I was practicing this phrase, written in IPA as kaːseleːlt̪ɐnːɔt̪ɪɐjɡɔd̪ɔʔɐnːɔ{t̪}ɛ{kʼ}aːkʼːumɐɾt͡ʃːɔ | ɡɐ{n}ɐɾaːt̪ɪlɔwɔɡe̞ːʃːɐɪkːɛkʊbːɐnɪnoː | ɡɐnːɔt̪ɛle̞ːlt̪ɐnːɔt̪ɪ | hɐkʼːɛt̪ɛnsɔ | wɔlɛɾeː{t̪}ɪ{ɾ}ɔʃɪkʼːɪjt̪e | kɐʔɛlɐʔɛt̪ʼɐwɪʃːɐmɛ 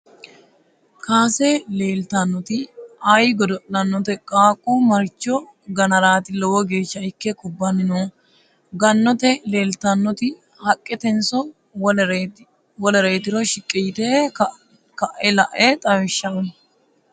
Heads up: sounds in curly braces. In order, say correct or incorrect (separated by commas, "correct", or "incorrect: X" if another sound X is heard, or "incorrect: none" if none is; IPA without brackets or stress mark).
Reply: correct, correct, correct, correct, correct